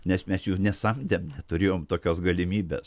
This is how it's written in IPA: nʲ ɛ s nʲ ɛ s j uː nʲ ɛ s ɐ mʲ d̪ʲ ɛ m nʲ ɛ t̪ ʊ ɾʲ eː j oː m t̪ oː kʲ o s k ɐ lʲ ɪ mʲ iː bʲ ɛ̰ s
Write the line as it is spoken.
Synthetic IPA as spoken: nʲ ɛ s mʲ ɛ s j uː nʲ ɛ s ɐ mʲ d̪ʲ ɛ m nʲ ɛ t̪ ʊ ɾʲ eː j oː m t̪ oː kʲ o s ɡ ɐ lʲ ɪ mʲ iː bʲ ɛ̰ s

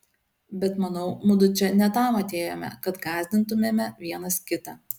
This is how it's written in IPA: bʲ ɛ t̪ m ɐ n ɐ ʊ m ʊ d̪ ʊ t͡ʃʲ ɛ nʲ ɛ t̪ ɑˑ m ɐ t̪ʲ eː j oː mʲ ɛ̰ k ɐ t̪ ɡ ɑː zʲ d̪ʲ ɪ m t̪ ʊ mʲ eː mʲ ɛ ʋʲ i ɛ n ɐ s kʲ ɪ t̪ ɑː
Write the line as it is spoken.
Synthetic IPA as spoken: bʲ ɛ t̪ m ɐ n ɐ ʊ m ʊ d̪ ʊ t͡ʃʲ ɛ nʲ ɛ t̪ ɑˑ m ɐ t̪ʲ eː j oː mʲ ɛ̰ k ɐ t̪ ɡ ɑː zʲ d̪ʲ ɪ n t̪ ʊ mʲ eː mʲ ɛ ʋʲ i ɛ n ɐ s kʲ ɪ t̪ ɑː

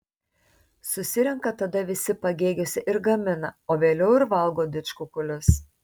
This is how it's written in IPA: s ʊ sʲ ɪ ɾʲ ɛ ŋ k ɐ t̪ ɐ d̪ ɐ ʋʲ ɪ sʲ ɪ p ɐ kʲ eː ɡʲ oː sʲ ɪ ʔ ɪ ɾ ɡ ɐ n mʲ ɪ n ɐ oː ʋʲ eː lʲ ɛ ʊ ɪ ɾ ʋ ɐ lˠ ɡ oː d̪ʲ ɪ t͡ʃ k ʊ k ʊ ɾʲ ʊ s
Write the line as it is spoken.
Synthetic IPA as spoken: s ʊ sʲ ɪ ɾʲ ɛ ŋ k ɐ t̪ ɐ d̪ ɐ ʋʲ ɪ sʲ ɪ p ɐ ɡʲ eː ɡʲ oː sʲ ɪ ʔ ɪ ɾ ɡ ɐ mʲ ɪ n ɐ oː ʋʲ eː lʲ ɛ ʊ ɪ ɾ ʋ ɐ lˠ ɡ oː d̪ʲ ɪ t͡ʃ k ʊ k ʊ lʲ ʊ s

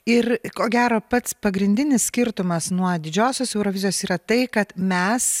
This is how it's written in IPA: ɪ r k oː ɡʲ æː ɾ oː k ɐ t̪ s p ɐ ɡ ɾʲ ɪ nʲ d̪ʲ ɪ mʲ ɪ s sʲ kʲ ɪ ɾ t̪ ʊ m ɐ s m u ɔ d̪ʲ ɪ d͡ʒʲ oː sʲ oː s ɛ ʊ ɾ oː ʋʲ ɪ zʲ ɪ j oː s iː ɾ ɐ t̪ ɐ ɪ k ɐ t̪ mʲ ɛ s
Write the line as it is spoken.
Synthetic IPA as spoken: ɪ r k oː ɡʲ æː ɾ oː p ɐ t̪ s p ɐ ɡ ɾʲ ɪ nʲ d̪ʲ ɪ nʲ ɪ s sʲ kʲ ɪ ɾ t̪ ʊ m ɐ s n u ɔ d̪ʲ ɪ d͡ʒʲ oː sʲ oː s ɛ ʊ ɾ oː ʋʲ ɪ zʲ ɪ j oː s iː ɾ ɐ t̪ ɐ ɪ k ɐ t̪ mʲ ɛ s

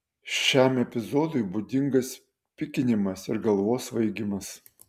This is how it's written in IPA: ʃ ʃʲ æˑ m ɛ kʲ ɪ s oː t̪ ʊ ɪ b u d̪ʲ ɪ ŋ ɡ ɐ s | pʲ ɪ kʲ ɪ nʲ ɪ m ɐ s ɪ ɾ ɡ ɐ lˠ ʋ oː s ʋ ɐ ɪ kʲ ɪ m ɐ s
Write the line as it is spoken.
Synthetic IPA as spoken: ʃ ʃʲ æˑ m ɛ pʲ ɪ z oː d̪ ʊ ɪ b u d̪ʲ ɪ ŋ ɡ ɐ s | pʲ ɪ kʲ ɪ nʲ ɪ m ɐ s ɪ ɾ ɡ ɐ lˠ ʋ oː s ʋ ɐ ɪ ɡʲ ɪ m ɐ s

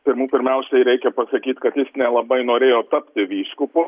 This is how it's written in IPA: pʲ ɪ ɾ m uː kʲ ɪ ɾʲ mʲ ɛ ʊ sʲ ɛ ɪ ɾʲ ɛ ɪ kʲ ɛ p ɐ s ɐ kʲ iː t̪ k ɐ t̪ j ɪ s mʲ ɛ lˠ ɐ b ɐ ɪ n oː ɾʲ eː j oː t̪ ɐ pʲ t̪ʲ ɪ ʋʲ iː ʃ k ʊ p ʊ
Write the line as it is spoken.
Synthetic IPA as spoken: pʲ ɪ ɾ m uː pʲ ɪ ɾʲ mʲ ɛ ʊ sʲ ɛ ɪ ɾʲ ɛ ɪ kʲ ɛ p ɐ s ɐ kʲ iː t̪ k ɐ t̪ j ɪ s nʲ ɛ lˠ ɐ b ɐ ɪ n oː ɾʲ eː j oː t̪ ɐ pʲ t̪ʲ ɪ ʋʲ iː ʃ k ʊ p ʊ

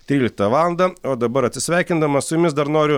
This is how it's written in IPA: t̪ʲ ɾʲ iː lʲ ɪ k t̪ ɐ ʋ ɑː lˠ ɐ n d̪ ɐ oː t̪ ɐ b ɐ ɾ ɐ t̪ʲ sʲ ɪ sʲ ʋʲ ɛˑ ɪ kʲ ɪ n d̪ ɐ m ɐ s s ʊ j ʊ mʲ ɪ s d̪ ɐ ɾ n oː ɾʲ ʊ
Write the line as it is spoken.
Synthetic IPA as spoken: t̪ʲ ɾʲ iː lʲ ɪ k t̪ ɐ ʋ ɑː lˠ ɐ n d̪ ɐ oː d̪ ɐ b ɐ ɾ ɐ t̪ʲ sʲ ɪ sʲ ʋʲ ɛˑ ɪ kʲ ɪ n d̪ ɐ m ɐ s s ʊ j ʊ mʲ ɪ s d̪ ɐ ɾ n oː ɾʲ ʊ

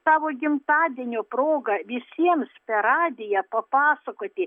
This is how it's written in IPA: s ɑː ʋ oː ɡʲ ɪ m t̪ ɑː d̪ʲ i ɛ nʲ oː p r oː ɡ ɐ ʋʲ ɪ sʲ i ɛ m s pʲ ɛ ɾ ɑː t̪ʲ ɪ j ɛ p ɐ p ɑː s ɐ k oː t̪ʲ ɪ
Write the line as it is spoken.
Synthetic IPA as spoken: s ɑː ʋ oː ɡʲ ɪ m t̪ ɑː d̪ʲ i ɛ nʲ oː p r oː ɡ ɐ ʋʲ ɪ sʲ i ɛ m s pʲ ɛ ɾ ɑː d̪ʲ ɪ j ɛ p ɐ p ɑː s ɐ k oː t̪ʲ ɪ

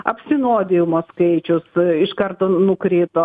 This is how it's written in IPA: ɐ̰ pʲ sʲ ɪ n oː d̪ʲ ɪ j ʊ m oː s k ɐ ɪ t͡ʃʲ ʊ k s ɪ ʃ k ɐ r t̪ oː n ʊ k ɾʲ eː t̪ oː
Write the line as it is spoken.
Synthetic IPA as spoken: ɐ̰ pʲ sʲ ɪ n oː d̪ʲ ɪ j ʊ m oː s k ɐ ɪ t͡ʃʲ ʊ s ɪ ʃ k ɐ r t̪ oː n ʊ k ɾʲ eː t̪ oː

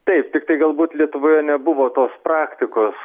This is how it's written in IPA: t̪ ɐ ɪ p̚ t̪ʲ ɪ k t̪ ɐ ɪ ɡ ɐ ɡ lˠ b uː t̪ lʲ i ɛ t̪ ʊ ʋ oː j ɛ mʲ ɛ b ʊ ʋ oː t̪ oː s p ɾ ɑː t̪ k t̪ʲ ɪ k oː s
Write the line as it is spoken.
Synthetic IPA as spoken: t̪ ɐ ɪ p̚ t̪ʲ ɪ k t̪ ɐ ɪ ɡ ɐ lˠ b uː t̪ lʲ i ɛ t̪ ʊ ʋ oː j ɛ nʲ ɛ b ʊ ʋ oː t̪ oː s p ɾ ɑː k t̪ʲ ɪ k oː s

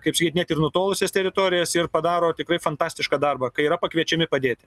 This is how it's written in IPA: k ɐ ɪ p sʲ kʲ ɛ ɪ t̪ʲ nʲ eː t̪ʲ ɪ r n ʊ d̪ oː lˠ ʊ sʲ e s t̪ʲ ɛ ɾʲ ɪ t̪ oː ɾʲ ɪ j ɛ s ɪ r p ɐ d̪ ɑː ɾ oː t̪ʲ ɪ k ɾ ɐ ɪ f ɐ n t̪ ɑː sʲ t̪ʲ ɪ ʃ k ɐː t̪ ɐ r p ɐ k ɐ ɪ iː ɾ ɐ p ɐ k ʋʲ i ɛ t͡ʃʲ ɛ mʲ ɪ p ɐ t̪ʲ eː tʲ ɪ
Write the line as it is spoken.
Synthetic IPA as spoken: k ɐ ɪ p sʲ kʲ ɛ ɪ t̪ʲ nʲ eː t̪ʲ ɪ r n ʊ t̪ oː lˠ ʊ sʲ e s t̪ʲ ɛ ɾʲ ɪ t̪ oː ɾʲ ɪ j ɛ s ɪ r p ɐ d̪ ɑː ɾ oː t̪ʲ ɪ k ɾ ɐ ɪ f ɐ n t̪ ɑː sʲ t̪ʲ ɪ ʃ k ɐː d̪ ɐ r b ɐ k ɐ ɪ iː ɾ ɐ p ɐ k ʋʲ i ɛ t͡ʃʲ ɛ mʲ ɪ p ɐ d̪ʲ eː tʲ ɪ

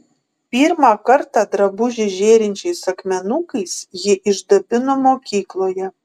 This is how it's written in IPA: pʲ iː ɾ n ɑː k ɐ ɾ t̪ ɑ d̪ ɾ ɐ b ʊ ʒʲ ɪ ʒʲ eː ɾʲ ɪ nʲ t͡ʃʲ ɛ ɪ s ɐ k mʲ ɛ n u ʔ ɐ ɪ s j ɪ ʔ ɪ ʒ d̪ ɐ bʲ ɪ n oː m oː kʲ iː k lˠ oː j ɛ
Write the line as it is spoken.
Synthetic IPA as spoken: pʲ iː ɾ m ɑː k ɐ ɾ t̪ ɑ d̪ ɾ ɐ b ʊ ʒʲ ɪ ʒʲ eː ɾʲ ɪ nʲ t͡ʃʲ ɛ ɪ s ɐ k mʲ ɛ n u k ɐ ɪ s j ɪ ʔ ɪ ʒ d̪ ɐ bʲ ɪ n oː m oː kʲ iː k lˠ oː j ɛ

